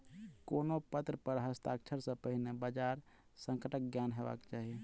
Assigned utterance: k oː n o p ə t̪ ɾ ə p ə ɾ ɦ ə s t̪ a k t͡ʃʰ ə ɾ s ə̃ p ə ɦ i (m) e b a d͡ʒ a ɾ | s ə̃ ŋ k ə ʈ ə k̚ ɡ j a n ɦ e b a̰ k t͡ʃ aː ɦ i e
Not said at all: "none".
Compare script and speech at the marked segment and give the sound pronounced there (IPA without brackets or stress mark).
n